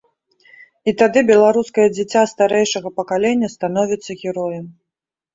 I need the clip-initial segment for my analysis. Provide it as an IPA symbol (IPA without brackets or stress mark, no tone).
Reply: i